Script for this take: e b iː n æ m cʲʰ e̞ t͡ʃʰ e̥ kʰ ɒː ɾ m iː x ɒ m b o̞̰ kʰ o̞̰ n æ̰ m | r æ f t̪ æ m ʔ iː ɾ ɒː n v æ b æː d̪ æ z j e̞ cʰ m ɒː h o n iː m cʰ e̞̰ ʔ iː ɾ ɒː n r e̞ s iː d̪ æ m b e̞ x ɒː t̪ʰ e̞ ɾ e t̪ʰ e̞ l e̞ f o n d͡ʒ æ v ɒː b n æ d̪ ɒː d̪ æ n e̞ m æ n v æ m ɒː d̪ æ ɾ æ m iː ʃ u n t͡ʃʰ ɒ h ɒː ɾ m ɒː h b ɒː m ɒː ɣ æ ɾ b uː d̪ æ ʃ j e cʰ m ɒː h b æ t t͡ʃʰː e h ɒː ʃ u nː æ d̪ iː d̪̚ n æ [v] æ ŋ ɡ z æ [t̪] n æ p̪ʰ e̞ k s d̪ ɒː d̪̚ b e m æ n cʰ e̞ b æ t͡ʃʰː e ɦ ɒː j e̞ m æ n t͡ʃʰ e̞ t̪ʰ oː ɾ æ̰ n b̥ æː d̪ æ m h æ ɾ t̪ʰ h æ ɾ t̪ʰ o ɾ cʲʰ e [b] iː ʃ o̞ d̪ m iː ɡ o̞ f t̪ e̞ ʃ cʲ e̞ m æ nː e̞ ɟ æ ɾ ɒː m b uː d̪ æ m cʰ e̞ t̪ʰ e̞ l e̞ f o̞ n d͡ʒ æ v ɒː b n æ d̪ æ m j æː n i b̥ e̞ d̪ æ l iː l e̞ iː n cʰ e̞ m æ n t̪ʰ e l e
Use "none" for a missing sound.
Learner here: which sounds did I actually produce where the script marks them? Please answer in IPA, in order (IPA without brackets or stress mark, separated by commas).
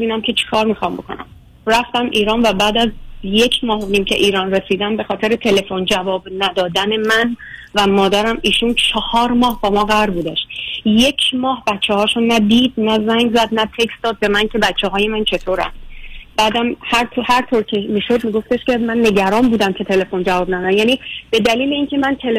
z, d̪, m